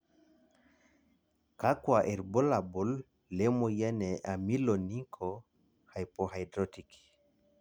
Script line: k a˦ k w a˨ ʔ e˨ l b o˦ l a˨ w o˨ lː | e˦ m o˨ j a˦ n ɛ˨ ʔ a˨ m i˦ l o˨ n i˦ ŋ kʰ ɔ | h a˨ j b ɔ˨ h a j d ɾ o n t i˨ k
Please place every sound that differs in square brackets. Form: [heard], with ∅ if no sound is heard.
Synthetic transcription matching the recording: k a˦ k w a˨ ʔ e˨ [ɾ] b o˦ l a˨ [b] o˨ lː | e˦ m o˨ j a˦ n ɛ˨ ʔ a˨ m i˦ l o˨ n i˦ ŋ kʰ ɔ | h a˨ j [p] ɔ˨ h a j d ɾ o [∅] t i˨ k